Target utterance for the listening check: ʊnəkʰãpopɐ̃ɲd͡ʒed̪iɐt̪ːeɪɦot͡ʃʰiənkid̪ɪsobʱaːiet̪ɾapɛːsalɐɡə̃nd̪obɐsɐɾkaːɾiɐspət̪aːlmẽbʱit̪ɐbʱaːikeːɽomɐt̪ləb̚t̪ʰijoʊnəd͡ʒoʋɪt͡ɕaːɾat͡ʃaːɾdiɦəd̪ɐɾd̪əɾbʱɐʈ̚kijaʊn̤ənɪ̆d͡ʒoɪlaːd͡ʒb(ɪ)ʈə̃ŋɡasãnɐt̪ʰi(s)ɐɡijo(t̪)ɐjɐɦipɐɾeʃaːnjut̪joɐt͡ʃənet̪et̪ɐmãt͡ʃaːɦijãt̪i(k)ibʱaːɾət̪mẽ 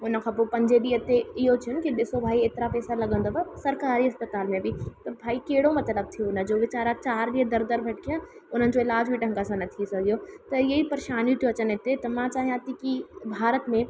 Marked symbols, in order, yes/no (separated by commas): no, yes, yes, yes